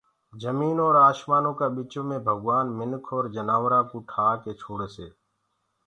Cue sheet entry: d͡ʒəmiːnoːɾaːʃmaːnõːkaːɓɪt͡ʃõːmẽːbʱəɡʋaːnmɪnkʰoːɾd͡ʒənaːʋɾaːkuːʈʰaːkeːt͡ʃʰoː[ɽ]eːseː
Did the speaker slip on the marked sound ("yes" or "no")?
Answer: no